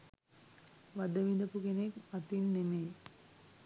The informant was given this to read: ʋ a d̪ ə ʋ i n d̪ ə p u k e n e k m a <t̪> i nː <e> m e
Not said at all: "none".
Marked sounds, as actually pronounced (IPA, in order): t̪, e

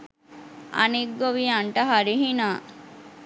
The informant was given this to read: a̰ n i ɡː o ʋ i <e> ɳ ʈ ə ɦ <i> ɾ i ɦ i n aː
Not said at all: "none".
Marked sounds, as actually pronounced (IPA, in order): a, a

